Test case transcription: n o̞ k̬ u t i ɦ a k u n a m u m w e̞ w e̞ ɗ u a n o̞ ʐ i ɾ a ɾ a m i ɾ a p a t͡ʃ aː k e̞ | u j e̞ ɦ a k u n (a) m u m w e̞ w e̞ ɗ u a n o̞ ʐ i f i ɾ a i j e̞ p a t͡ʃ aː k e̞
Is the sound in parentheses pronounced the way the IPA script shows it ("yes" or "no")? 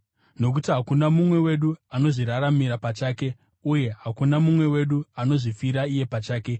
yes